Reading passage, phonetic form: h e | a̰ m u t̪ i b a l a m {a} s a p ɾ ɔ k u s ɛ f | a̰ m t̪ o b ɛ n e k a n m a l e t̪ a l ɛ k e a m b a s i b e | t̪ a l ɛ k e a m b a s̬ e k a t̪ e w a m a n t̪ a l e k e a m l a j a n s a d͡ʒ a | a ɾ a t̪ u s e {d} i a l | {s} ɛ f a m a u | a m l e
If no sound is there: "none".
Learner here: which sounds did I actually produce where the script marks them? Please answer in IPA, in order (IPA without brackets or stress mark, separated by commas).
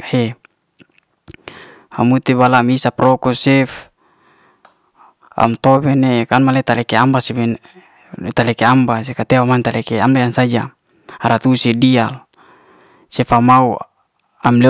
i, d, s